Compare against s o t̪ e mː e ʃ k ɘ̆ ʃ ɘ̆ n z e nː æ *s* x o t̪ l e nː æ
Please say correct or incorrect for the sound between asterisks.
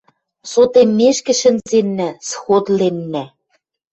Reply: correct